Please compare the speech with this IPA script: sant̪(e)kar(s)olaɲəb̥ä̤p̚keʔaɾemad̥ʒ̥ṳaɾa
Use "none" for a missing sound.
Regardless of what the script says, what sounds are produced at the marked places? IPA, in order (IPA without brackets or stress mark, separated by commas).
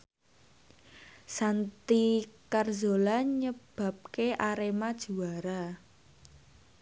i, z